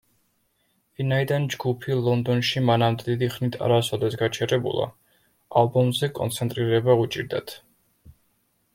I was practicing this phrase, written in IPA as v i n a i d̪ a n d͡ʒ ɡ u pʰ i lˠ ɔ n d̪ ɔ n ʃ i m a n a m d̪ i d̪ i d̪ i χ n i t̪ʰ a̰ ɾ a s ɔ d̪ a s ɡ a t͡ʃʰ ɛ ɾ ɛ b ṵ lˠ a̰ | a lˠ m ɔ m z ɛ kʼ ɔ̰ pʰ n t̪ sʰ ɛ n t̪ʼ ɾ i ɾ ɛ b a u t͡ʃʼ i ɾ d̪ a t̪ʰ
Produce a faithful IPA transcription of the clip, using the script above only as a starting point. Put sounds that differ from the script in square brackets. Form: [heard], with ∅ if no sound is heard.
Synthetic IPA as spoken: v i n a i d̪ a n d͡ʒ ɡ u pʰ i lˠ ɔ n d̪ ɔ n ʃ i m a n a m d̪ [ɛ] d̪ i d̪ i χ n i t̪ʰ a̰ ɾ a s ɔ d̪ [ɛ] s ɡ a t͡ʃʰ ɛ ɾ ɛ b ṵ lˠ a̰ | a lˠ [b] ɔ m z ɛ kʼ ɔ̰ [∅] n t̪ sʰ ɛ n t̪ʼ ɾ i ɾ ɛ b a u t͡ʃʼ i ɾ d̪ a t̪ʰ

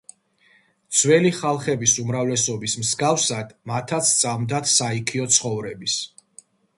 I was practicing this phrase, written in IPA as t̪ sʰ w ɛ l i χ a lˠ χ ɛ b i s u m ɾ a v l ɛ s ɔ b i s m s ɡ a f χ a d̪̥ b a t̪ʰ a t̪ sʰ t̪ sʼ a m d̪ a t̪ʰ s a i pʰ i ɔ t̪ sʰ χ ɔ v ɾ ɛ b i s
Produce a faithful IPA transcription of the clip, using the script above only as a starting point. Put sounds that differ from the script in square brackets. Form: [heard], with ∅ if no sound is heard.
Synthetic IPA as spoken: t̪ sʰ w ɛ l i χ a lˠ χ ɛ b i s u m ɾ a v l ɛ s ɔ b i s m s ɡ a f [s] a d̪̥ [m] a t̪ʰ a t̪ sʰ t̪ sʼ a m d̪ a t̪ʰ s a i [kʰ] i ɔ t̪ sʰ χ ɔ v ɾ ɛ b i s

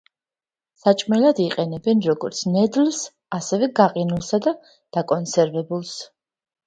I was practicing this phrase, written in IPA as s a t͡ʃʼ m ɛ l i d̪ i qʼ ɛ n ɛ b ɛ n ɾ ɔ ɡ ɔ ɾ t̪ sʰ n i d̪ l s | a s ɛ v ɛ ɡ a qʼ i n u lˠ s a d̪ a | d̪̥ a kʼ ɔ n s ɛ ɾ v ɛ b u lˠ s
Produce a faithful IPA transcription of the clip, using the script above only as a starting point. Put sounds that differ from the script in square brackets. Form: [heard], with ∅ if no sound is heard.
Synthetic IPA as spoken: s a t͡ʃʼ m ɛ l [a] d̪ i qʼ ɛ n ɛ b ɛ n ɾ ɔ ɡ ɔ ɾ t̪ sʰ n [ɛ] d̪ l s | a s ɛ v ɛ ɡ a qʼ i n u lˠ s a d̪ a | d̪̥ a kʼ ɔ n s ɛ ɾ v ɛ b u lˠ s

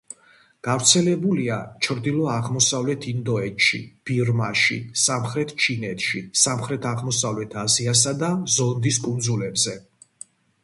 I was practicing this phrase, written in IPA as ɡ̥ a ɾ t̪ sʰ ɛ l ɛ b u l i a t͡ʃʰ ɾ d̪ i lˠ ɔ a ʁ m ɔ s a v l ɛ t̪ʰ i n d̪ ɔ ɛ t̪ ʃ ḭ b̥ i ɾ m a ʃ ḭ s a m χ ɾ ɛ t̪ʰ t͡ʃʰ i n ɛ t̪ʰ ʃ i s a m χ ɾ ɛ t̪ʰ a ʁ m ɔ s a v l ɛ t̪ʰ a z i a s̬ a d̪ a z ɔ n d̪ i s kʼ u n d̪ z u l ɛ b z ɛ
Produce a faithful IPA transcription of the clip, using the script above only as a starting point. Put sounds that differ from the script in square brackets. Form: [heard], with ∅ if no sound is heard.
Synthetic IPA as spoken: ɡ̥ a ɾ t̪ sʰ ɛ l ɛ b u l i a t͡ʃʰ ɾ d̪ i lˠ ɔ a ʁ m ɔ s a v l ɛ t̪ʰ i n d̪ ɔ ɛ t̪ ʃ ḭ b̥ i ɾ m a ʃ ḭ s a m χ ɾ ɛ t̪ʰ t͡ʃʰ i n ɛ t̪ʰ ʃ i s a m χ ɾ ɛ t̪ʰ a ʁ m ɔ s a v l ɛ t̪ʰ a z i a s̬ a d̪ a z ɔ n d̪ i s kʼ u n d̪ z u l ɛ b z ɛ

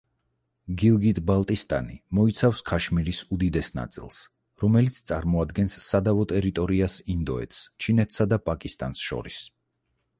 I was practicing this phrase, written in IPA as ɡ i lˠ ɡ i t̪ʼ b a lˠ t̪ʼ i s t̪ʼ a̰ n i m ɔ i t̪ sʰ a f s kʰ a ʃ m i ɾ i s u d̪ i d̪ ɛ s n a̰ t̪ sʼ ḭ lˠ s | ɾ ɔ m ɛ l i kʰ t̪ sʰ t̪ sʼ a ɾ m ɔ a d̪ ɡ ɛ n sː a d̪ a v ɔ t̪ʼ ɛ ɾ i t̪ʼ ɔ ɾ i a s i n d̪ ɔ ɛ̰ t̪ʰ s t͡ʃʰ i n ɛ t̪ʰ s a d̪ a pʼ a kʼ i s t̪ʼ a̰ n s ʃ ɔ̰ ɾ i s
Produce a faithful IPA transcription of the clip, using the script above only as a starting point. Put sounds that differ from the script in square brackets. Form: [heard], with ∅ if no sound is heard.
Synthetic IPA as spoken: ɡ i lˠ ɡ i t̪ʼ b a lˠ t̪ʼ i s t̪ʼ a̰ n i m ɔ i t̪ sʰ a f s kʰ a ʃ m i ɾ i s u d̪ i d̪ ɛ s n a̰ t̪ sʼ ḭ lˠ s | ɾ ɔ m ɛ l i [∅] t̪ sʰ t̪ sʼ a ɾ m ɔ a d̪ ɡ ɛ n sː a d̪ a v ɔ t̪ʼ ɛ ɾ i t̪ʼ ɔ ɾ i a s i n d̪ ɔ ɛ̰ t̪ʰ s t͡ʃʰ i n ɛ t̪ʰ s a d̪ a pʼ a kʼ i s t̪ʼ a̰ n s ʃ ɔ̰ ɾ i s

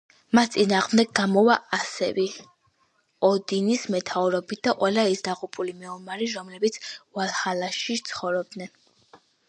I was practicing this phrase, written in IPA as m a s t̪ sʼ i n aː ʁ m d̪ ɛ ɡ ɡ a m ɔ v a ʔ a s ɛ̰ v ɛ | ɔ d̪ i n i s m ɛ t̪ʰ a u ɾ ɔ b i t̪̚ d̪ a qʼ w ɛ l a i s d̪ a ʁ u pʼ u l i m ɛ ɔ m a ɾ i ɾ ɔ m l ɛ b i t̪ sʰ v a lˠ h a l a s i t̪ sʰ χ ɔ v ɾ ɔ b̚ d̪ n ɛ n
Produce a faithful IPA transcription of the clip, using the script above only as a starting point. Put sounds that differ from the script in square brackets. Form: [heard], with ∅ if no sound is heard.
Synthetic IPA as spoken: m a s t̪ sʼ i n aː ʁ m d̪ ɛ ɡ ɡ a m ɔ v a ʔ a s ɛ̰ v ɛ | ɔ d̪ i n i s m ɛ t̪ʰ a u ɾ ɔ b i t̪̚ d̪ a qʼ w ɛ l a i s d̪ a ʁ u pʼ u l i m ɛ ɔ m a ɾ i ɾ ɔ m l ɛ b i t̪ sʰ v a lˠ h a l a [ʃ] i t̪ sʰ χ ɔ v ɾ ɔ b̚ d̪ n ɛ n

